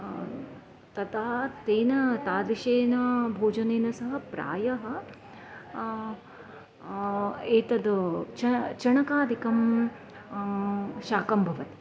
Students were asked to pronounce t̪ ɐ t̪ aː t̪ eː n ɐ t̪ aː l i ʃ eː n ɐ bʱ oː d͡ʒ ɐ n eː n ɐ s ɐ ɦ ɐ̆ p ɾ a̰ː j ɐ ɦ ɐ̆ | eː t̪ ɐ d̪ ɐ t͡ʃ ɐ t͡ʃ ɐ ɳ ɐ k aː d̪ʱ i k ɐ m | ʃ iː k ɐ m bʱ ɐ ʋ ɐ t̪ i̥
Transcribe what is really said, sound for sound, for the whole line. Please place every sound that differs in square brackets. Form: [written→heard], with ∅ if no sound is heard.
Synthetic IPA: t̪ ɐ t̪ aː t̪ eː n ɐ t̪ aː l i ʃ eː n ɐ bʱ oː d͡ʒ ɐ n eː n ɐ s ɐ ɦ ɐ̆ p ɾ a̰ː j ɐ ɦ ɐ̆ | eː t̪ ɐ d̪ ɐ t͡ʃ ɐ t͡ʃ ɐ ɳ ɐ k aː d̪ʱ i k ɐ m | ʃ [iː→aː] k ɐ m bʱ ɐ ʋ ɐ t̪ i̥